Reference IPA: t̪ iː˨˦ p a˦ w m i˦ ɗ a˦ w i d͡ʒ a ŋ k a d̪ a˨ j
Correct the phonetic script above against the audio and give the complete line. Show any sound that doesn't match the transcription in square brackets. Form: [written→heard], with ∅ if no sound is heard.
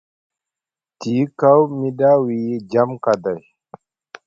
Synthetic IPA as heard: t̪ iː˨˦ [p→k] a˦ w m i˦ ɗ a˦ w i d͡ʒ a [ŋ→m] k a d̪ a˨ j